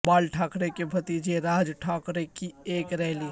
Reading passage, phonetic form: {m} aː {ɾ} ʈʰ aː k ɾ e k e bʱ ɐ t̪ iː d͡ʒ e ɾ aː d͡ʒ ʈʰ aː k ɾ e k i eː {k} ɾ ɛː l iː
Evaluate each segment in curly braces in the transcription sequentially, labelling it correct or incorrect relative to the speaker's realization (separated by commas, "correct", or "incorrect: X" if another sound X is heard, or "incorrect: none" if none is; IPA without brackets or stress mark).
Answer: incorrect: b, incorrect: l, correct